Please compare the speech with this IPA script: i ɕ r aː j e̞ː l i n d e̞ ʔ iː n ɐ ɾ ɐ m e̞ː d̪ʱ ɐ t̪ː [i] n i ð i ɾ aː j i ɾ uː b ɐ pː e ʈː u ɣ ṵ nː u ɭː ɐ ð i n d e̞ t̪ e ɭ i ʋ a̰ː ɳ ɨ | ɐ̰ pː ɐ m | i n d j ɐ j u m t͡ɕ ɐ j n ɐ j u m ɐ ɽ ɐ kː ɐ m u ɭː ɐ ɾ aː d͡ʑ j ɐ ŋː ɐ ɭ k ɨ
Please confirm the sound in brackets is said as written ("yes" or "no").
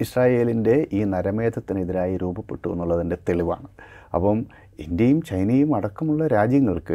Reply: yes